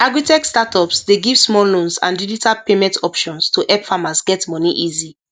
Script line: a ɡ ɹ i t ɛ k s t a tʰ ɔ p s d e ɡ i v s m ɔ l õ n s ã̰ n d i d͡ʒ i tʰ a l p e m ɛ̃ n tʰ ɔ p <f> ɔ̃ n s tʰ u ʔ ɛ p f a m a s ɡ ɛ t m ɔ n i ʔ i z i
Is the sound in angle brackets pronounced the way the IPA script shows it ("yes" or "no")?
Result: no